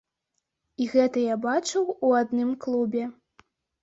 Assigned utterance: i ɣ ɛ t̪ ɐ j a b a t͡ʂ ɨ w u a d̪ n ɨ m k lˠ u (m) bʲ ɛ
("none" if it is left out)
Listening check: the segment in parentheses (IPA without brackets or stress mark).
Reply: none